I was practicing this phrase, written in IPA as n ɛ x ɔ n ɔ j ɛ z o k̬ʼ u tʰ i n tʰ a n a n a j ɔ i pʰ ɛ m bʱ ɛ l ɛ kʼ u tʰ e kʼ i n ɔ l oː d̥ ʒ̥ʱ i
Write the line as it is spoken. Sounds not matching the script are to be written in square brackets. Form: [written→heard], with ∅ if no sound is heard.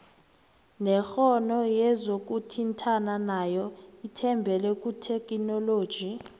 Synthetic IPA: n ɛ x ɔ n ɔ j ɛ z o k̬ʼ u tʰ i n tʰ a n a n a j ɔ i [pʰ→tʰ] ɛ m bʱ ɛ l ɛ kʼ u tʰ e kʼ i n ɔ l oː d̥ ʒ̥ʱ i